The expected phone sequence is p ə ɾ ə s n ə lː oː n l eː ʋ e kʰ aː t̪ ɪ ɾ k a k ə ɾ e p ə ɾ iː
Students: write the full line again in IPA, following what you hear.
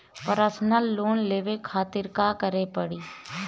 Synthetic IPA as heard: p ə ɾ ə s n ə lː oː n l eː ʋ e kʰ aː t̪ ɪ ɾ k a k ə ɾ e p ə ɽ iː